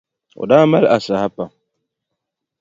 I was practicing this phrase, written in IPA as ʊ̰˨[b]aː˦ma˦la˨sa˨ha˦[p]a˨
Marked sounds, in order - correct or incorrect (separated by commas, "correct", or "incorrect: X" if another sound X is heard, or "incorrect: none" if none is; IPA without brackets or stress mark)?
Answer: incorrect: d, correct